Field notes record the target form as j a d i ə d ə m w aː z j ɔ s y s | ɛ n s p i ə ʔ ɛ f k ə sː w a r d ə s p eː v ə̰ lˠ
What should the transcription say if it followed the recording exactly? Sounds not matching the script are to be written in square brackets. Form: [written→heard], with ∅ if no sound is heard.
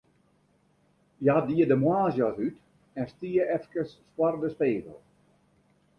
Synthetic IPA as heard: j a d i ə d ə m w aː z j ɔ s y [s→t] | ɛ n s [p→t] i ə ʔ ɛ f k ə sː w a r d ə s p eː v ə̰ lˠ